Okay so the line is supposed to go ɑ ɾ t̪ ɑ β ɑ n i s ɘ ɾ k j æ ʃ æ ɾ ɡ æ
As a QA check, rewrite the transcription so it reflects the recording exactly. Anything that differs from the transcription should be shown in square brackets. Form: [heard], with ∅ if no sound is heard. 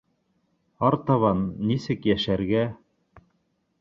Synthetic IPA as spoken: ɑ ɾ t̪ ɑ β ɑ [nː] i s ɘ [∅] k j æ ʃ æ ɾ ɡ æ